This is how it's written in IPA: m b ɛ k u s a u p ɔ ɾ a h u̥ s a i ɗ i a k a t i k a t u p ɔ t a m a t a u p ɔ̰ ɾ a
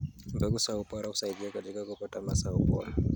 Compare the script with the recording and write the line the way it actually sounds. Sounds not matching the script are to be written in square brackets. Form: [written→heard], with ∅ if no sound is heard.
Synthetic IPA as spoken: m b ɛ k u s a u p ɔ ɾ a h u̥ s a i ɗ i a k a t i k a [t→k] u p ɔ t a m a [t→s] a u p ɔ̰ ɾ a